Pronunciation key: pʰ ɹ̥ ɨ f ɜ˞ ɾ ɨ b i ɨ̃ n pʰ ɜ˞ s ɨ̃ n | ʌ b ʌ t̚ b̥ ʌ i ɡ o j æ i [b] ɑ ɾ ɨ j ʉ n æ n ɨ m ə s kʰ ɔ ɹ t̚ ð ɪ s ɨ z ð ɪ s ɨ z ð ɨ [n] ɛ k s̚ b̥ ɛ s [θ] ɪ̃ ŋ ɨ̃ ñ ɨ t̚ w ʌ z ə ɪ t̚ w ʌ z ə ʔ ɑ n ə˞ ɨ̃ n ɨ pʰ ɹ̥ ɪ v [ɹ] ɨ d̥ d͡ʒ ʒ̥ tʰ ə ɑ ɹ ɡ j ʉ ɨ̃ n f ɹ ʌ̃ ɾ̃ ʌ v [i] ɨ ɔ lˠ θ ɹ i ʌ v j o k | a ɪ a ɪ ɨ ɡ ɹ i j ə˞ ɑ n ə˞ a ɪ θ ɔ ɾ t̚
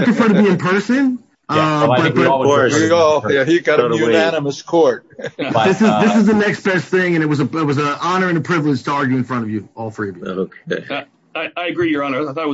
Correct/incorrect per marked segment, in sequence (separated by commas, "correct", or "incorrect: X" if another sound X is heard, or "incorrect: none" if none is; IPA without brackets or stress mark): incorrect: ɡ, correct, correct, incorrect: l, incorrect: j